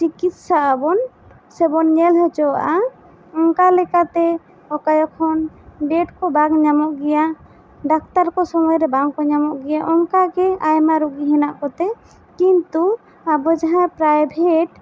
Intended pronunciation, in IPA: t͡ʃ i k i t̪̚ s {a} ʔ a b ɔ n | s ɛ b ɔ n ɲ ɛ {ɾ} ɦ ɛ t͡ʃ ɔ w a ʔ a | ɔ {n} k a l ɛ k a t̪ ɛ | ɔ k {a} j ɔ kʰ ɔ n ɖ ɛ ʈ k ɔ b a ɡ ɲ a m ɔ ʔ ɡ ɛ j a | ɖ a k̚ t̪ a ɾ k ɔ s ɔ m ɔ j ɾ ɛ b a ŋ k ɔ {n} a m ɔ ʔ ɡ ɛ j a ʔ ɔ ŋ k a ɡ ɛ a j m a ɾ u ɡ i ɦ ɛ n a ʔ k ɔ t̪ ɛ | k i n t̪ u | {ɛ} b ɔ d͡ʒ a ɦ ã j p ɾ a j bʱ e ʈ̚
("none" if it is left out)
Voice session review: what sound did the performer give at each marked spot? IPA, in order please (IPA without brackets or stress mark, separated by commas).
a, l, ŋ, a, ɲ, a